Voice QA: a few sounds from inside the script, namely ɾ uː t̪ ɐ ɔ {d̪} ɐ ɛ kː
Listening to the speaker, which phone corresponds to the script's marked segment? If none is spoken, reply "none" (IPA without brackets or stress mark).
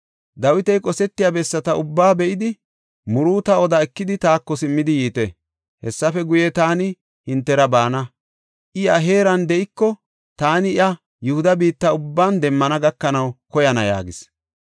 d̪